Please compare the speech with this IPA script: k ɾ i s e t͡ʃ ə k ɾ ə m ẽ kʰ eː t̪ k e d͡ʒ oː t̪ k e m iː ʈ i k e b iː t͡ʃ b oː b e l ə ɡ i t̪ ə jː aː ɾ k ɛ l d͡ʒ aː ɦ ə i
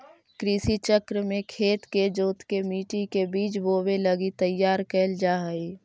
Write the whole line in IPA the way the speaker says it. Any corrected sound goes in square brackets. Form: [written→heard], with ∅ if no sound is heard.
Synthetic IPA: k ɾ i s [e→i] t͡ʃ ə k ɾ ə m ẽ kʰ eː t̪ k e d͡ʒ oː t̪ k e m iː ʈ i k e b iː t͡ʃ b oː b e l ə ɡ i t̪ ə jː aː ɾ k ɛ l d͡ʒ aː ɦ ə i